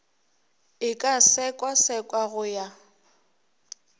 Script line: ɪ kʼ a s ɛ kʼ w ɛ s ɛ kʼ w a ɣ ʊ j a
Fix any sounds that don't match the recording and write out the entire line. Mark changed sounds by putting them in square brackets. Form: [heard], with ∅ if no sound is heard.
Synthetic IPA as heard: ɪ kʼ a s ɛ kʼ w [a] s ɛ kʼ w a ɣ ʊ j a